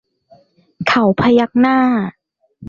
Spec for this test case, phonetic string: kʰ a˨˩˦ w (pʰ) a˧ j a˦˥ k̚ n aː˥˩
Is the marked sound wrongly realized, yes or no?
no